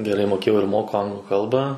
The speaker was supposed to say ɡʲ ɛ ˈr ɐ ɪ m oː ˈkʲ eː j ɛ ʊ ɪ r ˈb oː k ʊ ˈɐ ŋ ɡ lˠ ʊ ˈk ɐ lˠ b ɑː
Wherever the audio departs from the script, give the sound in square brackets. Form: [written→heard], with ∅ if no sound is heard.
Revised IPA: ɡʲ ɛ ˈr ɐ ɪ m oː ˈkʲ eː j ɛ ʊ ɪ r [ˈb→ˈm] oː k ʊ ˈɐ ŋ ɡ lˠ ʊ ˈk ɐ lˠ b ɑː